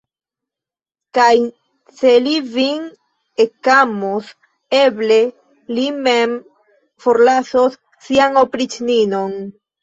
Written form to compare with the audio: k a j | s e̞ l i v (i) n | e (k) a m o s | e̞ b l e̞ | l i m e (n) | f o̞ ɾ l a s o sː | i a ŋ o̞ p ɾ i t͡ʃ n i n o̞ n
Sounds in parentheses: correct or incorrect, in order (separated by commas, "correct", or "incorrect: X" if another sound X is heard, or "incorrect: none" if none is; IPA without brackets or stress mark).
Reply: correct, correct, incorrect: m